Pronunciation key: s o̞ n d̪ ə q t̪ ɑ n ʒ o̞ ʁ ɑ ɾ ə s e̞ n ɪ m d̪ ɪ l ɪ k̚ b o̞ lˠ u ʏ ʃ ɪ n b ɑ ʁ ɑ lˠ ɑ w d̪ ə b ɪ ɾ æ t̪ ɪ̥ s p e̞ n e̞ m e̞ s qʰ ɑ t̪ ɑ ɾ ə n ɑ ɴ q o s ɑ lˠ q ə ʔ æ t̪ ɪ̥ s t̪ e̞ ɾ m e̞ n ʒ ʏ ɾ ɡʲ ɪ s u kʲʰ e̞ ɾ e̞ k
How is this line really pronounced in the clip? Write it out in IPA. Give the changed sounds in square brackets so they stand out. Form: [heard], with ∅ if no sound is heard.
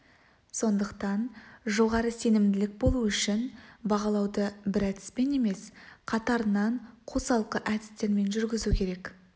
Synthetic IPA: s o̞ n d̪ ə q t̪ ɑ n ʒ o̞ ʁ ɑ ɾ ə s e̞ n ɪ m d̪ ɪ l ɪ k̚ b o̞ lˠ u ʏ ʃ ɪ n b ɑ ʁ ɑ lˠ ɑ w d̪ ə b ɪ ɾ æ t̪ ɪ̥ s p e̞ n e̞ m e̞ s qʰ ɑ t̪ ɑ ɾ ə n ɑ ɴ [qʰ] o s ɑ lˠ q ə ʔ æ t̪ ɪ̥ s t̪ e̞ ɾ m e̞ n ʒ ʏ ɾ ɡʲ ɪ [z] u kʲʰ e̞ ɾ e̞ k